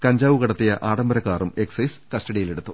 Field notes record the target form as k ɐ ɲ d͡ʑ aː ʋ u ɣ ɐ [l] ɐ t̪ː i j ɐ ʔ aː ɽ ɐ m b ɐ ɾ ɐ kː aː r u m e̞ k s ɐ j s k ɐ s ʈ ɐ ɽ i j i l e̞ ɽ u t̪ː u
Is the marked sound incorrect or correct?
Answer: incorrect: ɽ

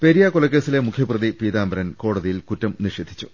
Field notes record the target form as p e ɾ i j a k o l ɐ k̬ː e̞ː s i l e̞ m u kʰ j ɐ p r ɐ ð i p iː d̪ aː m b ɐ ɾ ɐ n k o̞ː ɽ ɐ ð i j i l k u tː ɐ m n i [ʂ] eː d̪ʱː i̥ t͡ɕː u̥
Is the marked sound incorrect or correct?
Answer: correct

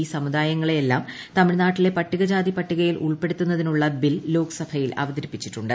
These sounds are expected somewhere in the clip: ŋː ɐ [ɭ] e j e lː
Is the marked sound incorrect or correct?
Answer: correct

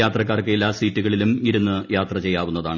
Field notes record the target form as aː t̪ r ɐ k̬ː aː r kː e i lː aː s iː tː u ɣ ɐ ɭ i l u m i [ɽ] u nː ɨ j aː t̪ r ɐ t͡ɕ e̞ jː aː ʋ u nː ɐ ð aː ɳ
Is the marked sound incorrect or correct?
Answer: incorrect: ɾ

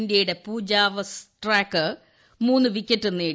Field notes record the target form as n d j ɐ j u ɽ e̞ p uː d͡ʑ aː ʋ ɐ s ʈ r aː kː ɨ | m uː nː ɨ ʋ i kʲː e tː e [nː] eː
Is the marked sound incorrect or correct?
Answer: correct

